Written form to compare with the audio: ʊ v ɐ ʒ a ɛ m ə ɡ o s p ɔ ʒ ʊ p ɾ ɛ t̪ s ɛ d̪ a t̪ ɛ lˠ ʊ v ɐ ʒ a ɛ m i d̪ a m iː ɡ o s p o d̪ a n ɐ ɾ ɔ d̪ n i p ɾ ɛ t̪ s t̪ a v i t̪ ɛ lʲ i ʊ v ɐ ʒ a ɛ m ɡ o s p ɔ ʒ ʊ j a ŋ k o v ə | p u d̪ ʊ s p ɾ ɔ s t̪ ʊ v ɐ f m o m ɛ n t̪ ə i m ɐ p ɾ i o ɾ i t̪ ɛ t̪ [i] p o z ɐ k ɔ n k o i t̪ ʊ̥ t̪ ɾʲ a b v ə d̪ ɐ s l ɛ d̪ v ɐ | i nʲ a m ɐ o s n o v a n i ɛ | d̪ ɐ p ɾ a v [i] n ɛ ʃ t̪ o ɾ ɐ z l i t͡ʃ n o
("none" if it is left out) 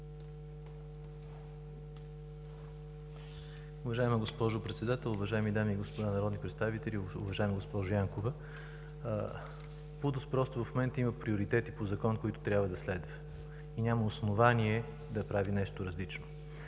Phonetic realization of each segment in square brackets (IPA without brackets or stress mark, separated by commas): i, i